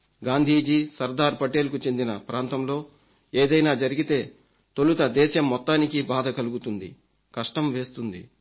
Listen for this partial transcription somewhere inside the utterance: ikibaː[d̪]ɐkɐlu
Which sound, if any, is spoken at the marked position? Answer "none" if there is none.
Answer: d̪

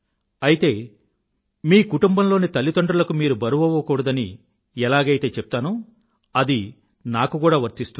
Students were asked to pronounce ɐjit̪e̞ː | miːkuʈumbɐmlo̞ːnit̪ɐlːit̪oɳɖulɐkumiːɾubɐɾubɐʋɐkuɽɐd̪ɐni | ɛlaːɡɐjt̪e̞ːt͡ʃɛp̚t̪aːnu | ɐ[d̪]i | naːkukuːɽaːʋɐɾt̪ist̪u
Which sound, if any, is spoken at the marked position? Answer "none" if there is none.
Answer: d̪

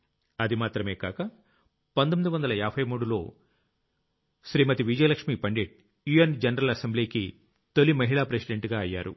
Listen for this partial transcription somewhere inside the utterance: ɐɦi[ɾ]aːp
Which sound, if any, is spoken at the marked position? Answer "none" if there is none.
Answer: ɭ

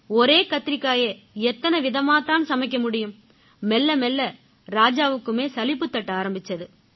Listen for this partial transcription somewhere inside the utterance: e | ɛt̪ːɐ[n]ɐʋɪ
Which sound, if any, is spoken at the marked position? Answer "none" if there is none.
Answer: n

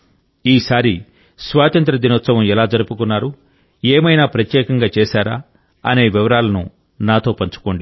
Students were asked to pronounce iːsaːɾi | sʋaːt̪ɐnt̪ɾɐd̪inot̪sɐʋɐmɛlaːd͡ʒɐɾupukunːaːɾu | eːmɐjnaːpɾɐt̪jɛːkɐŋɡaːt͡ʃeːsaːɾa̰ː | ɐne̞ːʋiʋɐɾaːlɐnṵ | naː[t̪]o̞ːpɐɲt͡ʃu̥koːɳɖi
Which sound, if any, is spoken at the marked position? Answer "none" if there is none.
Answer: t̪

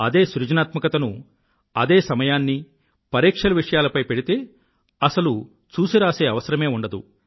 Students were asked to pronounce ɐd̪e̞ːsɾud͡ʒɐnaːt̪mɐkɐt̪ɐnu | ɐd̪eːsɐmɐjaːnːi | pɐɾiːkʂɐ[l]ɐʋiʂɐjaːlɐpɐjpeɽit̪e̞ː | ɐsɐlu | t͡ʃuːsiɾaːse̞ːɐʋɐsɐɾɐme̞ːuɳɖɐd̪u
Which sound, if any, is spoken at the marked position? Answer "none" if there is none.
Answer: l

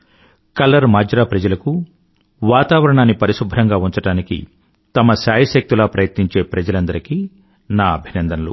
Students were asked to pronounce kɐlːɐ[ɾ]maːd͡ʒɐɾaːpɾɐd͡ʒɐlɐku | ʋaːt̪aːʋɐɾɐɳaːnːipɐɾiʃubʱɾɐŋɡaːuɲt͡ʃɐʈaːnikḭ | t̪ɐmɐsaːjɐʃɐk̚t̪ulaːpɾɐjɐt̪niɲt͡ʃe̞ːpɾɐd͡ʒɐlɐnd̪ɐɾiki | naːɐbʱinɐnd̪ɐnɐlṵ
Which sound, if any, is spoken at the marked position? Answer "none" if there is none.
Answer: ɾ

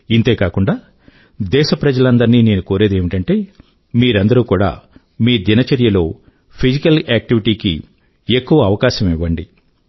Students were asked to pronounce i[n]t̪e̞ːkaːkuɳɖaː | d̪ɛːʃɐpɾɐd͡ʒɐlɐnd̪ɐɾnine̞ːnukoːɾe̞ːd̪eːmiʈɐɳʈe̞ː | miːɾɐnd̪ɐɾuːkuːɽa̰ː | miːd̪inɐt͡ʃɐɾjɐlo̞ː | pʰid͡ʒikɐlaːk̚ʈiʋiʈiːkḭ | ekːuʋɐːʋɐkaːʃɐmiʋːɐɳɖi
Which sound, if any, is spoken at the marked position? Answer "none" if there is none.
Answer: n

